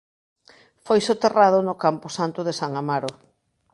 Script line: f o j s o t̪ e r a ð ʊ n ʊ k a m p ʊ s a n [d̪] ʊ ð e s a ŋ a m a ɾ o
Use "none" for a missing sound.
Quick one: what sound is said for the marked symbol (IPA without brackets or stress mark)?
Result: t̪